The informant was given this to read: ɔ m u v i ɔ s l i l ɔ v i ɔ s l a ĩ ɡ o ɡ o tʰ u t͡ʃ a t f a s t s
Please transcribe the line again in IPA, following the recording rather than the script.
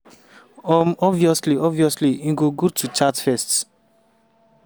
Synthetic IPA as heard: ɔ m ɔ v i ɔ s l i ɔ v i ɔ s l i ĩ ɡ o ɡ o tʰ u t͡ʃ a t f ɛ s t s